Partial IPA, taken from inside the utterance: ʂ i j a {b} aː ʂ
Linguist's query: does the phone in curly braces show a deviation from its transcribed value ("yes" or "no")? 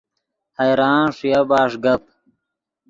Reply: no